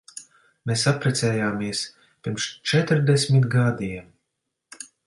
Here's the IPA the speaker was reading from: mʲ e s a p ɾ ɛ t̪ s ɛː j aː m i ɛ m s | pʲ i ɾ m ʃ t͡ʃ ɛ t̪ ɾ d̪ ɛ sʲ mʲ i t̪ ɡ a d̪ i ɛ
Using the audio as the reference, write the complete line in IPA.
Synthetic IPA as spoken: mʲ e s a p ɾ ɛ t̪ s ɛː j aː m i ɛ s | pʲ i ɾ m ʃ t͡ʃ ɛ t̪ ɾ d̪ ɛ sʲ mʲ i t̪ ɡ a d̪ i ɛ

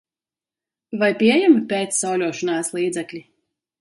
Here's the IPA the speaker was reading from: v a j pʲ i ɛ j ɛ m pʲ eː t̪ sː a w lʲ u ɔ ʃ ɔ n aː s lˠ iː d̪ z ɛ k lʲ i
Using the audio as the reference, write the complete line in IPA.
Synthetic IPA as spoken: v a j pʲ i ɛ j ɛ m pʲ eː t̪ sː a w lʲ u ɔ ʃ ɔ n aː s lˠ iː d̪ z ɛ k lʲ i

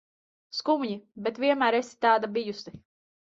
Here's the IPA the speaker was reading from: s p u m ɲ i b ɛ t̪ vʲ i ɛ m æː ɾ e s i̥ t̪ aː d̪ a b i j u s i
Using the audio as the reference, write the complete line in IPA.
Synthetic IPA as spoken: s k u m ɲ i b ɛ t̪ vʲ i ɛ m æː ɾ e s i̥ t̪ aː d̪ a b i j u s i

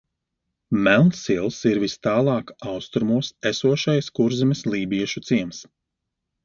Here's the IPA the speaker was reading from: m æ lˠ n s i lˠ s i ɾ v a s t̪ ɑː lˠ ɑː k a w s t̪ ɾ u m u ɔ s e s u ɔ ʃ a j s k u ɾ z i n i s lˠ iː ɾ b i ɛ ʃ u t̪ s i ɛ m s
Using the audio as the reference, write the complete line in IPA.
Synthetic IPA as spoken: m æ lˠ n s i lˠ s i ɾ v i s t̪ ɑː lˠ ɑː k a w s t̪ ɾ u m u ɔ s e s u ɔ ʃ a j s k u ɾ z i m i s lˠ iː b i ɛ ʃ u t̪ s i ɛ m s

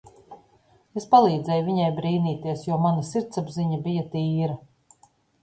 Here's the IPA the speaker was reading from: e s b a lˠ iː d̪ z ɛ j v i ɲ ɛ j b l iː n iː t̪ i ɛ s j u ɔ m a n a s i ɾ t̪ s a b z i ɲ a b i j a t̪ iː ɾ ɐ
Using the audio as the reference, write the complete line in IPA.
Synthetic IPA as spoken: e s p a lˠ iː d̪ z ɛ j v i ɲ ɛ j b ɾ iː n iː t̪ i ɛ s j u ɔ m a n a s i ɾ t̪ s a b z i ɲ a b i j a t̪ iː ɾ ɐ

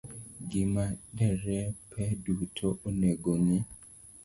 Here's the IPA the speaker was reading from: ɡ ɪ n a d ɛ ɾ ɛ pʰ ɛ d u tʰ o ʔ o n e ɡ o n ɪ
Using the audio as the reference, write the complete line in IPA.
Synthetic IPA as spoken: ɡ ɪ m a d ɛ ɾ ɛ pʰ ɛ d u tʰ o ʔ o n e ɡ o n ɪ

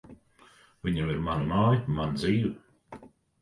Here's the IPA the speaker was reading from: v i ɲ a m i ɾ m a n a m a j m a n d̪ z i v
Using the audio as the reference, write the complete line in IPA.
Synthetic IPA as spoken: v i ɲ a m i ɾ m a n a m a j m a n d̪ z iː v

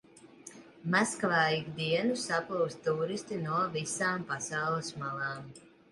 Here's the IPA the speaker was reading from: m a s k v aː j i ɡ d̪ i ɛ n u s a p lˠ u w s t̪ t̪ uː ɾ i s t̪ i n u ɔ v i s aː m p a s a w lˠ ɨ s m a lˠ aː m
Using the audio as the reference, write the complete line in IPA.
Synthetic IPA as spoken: m a s k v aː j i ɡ d̪ i ɛ n u s a p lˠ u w s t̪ t̪ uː ɾ i s t̪ i n u ɔ v i s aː m p a s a w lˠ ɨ s m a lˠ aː m

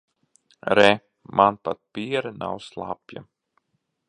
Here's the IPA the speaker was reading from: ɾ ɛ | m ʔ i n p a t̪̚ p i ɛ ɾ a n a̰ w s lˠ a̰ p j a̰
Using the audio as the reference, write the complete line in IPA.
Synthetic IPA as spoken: ɾ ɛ | m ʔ a n p a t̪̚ p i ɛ ɾ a n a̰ w s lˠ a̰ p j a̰

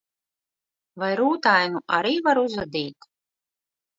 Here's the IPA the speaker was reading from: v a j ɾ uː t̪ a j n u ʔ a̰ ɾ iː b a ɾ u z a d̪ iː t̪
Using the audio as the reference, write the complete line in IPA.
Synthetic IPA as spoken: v a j ɾ uː t̪ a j n u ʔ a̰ ɾ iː v a ɾ u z a d̪ iː t̪

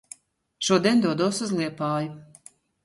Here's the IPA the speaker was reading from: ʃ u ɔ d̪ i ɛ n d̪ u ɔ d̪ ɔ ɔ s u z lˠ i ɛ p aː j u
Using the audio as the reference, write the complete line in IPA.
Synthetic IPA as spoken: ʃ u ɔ d̪ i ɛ n d̪ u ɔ d̪ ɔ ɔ s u z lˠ i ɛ p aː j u

